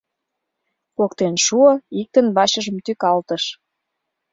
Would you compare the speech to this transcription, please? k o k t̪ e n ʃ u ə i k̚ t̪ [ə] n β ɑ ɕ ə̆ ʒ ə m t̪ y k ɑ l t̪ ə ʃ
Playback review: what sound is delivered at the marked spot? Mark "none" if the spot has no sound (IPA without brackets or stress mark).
ə